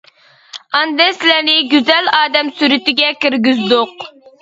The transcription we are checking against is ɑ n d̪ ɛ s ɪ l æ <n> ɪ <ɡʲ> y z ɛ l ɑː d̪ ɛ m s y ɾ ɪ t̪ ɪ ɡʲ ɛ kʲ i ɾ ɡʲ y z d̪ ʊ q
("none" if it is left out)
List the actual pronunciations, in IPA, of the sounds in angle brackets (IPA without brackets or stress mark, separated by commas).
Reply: n, ɡʲ